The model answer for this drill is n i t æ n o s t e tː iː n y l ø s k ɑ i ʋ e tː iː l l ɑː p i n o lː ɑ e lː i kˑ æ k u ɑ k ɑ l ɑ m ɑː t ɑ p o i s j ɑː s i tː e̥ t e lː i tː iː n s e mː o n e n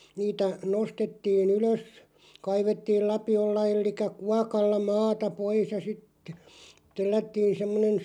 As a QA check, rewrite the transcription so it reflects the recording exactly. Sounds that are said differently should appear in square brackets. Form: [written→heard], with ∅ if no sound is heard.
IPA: n [i→iː] t æ n o s t e tː iː n y l ø s k ɑ i ʋ e tː iː l l [ɑː→ɑ] p i [n→∅] o lː ɑ e lː i kˑ æ k u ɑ k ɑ [l→lː] ɑ m ɑː t ɑ p o i s j [ɑː→ɑ] s i tː e̥ t e lː [i→æ] tː iː n s e mː o n e n